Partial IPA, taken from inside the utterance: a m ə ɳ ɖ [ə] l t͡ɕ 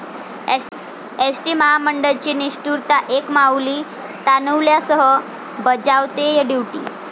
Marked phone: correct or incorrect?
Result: correct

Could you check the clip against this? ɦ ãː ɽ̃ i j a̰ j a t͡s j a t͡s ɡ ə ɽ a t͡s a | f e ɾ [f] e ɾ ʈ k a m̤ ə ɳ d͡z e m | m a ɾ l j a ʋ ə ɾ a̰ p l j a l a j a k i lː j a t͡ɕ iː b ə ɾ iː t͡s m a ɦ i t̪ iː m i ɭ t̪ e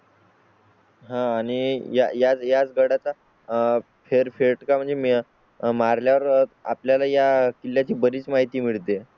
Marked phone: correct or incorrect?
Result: correct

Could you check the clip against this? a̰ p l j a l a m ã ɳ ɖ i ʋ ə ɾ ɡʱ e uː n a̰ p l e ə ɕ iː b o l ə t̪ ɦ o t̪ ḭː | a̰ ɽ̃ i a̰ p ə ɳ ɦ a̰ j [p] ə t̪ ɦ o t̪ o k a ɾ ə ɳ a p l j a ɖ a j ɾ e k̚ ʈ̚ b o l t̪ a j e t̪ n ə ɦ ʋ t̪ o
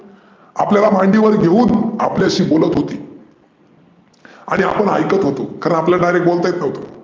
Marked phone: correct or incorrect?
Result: incorrect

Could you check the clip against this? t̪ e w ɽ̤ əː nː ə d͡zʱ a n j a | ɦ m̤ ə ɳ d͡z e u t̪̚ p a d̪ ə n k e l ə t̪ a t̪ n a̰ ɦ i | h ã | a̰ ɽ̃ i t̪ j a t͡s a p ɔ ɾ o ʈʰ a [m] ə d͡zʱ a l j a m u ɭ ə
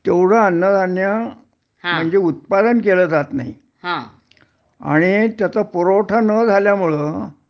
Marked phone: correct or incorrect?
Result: incorrect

